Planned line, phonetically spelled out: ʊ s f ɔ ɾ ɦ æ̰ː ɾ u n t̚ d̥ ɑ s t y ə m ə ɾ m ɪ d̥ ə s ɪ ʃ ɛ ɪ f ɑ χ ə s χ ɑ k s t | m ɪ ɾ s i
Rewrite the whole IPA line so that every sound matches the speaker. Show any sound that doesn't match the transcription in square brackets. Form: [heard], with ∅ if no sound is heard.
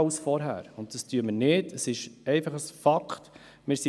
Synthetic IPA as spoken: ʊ s f ɔ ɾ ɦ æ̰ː ɾ [ʊ] n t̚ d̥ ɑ s t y ə m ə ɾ [n] ɪ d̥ ə s ɪ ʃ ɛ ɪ f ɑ χ ə s [f] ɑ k [χ] t | m ɪ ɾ s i